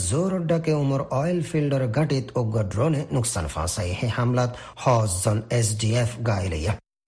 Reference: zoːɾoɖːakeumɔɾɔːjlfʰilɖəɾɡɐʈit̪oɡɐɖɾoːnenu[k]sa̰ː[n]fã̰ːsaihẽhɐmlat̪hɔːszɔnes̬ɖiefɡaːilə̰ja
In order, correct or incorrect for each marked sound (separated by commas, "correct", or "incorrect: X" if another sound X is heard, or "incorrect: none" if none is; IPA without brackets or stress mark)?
correct, correct